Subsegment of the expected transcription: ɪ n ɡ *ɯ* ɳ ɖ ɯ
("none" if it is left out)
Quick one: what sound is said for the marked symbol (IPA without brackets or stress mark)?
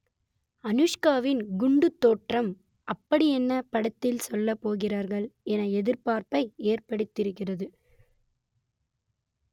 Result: ʊ